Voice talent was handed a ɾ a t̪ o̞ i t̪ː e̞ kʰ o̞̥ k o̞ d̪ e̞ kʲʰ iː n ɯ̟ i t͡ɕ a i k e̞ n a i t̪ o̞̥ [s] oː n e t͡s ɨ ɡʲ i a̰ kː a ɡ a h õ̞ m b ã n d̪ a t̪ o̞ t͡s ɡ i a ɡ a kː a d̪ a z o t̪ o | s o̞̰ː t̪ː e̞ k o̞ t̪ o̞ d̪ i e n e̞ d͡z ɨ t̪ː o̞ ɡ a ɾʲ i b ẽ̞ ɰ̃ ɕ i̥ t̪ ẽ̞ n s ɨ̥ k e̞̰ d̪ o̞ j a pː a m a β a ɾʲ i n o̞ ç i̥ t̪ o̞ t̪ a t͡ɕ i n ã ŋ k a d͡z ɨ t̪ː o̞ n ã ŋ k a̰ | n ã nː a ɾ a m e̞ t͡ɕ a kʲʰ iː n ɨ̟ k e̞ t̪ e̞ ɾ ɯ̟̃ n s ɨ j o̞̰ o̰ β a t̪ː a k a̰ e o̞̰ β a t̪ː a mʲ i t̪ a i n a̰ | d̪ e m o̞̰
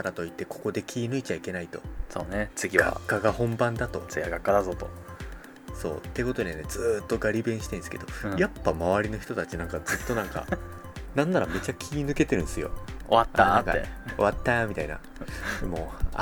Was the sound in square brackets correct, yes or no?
yes